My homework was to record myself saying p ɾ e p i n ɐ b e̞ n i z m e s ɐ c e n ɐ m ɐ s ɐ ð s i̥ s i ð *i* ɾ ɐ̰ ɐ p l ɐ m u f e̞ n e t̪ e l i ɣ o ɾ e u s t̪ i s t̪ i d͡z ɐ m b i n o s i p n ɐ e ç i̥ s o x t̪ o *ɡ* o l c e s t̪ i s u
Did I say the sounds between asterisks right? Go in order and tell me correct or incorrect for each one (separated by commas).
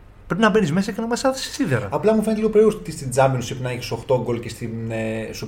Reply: incorrect, correct